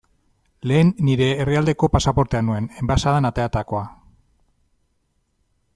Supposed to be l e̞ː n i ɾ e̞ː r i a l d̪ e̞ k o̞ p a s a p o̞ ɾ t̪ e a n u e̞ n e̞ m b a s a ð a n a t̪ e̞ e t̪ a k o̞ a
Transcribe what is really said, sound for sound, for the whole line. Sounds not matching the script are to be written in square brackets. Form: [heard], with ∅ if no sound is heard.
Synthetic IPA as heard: l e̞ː [nː] i ɾ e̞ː r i a l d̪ e̞ k o̞ p a s a p o̞ ɾ t̪ e a n u e̞ n e̞ m b a s a ð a n a t̪ e̞ [a] t̪ a k o̞ a